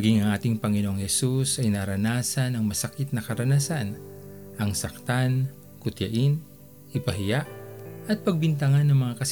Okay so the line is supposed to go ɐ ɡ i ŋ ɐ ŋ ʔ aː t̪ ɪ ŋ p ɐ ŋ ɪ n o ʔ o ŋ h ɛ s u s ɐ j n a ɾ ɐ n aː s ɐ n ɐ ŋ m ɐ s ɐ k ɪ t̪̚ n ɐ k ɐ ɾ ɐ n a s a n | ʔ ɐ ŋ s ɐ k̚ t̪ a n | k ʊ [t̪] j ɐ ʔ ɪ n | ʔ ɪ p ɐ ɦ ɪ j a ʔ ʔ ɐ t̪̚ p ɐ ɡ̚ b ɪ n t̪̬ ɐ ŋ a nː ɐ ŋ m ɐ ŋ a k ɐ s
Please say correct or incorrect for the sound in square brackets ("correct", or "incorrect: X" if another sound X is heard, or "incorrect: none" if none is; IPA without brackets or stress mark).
correct